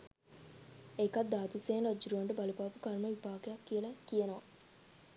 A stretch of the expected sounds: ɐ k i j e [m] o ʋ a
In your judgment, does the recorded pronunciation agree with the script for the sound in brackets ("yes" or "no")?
no